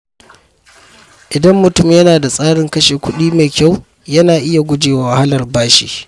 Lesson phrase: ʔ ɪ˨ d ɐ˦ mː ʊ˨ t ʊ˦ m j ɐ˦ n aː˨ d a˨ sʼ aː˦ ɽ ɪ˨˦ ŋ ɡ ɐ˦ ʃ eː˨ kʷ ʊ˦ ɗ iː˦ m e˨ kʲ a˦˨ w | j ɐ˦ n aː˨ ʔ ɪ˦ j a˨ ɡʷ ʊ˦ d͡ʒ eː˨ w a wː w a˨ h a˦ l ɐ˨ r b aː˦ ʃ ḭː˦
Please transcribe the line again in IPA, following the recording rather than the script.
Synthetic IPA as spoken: ʔ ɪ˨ d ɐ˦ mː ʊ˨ t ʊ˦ m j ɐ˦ n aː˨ d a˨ sʼ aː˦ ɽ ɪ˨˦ ŋ k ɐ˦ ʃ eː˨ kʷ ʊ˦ ɗ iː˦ m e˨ kʲ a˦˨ w | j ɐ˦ n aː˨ ʔ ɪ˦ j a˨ ɡʷ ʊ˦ d͡ʒ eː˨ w a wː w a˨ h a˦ l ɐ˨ r b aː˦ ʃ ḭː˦

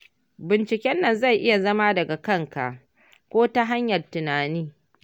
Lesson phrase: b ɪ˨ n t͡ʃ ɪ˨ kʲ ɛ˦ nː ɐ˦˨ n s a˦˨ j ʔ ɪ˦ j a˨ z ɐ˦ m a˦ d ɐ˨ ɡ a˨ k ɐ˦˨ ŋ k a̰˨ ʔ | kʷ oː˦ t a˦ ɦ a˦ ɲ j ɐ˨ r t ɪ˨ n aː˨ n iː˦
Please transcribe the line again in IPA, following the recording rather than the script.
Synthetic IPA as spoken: b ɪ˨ n t͡ʃ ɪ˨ kʲ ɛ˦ nː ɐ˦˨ n z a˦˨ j ʔ ɪ˦ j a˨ z ɐ˦ m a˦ d ɐ˨ ɡ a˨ k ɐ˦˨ ŋ k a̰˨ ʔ | kʷ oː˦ t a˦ ɦ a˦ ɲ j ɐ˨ r t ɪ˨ n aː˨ n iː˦

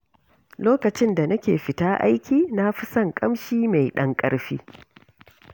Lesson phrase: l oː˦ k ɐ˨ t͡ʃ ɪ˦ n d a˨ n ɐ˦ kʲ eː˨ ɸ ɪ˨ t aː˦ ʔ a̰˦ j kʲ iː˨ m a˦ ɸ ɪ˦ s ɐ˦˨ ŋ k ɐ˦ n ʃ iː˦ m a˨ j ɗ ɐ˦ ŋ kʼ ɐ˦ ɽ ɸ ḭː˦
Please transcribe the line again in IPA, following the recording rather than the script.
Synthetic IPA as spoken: l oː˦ k ɐ˨ t͡ʃ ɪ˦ n d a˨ n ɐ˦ kʲ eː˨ ɸ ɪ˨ t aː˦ ʔ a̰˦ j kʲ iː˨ n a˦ ɸ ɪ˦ s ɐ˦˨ ŋ kʼ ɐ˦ m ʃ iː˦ m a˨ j ɗ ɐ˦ ŋ kʼ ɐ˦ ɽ ɸ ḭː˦

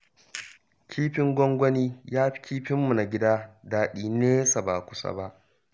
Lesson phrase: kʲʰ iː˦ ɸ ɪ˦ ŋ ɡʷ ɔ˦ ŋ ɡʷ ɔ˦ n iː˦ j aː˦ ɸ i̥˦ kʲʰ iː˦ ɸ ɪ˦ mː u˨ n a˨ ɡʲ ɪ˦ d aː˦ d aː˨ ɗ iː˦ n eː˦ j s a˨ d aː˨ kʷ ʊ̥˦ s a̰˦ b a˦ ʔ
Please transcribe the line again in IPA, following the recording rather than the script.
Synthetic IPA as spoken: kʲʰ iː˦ ɸ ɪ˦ ŋ ɡʷ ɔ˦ ŋ ɡʷ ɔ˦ n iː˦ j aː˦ ɸ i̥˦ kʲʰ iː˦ ɸ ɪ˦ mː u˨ n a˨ ɡʲ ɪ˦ d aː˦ d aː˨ ɗ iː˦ n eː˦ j s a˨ b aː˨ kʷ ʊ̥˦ s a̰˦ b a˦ ʔ

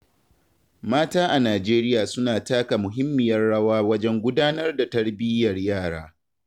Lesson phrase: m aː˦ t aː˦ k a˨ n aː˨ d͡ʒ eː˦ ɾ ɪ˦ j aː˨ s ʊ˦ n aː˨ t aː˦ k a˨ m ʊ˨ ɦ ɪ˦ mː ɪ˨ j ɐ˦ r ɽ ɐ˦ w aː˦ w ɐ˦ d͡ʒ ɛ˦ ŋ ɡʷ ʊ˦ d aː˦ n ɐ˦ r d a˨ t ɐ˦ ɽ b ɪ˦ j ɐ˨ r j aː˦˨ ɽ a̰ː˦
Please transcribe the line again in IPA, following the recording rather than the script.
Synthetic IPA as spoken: m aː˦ t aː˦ ʔ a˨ n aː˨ d͡ʒ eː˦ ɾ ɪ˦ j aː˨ s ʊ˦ n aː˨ t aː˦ k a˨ m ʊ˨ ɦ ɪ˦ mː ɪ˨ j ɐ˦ r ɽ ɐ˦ w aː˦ w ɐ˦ d͡ʒ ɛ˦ ŋ ɡʷ ʊ˦ d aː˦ n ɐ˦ r d a˨ t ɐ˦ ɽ b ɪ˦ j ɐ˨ r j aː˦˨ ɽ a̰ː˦

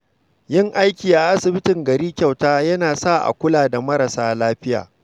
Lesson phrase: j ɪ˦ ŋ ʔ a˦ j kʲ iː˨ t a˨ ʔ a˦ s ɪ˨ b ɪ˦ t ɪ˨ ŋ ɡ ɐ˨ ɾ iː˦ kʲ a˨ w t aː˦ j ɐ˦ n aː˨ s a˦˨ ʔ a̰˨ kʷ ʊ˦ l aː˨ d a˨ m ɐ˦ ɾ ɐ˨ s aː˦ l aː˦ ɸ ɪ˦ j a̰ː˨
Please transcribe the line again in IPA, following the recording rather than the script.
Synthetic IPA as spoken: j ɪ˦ ŋ ʔ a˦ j kʲ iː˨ ʔ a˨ ʔ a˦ s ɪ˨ b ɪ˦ t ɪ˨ ŋ ɡ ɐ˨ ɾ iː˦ kʲ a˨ w t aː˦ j ɐ˦ n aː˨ s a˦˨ ʔ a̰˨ kʷ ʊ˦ l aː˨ d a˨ m ɐ˦ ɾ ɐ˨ s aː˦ l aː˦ ɸ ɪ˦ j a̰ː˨

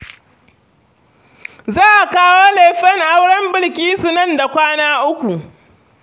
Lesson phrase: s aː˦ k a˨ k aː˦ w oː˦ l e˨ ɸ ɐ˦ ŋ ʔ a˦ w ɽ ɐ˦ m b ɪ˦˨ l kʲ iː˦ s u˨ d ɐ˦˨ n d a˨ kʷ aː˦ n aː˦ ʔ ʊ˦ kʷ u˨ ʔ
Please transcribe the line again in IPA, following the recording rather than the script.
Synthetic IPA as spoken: z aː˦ ʔ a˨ k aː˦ w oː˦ l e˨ ɸ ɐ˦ ŋ ʔ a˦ w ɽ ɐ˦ m b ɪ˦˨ l kʲ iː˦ s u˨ n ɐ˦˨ n d a˨ kʷ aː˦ n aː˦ ʔ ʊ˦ kʷ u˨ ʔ

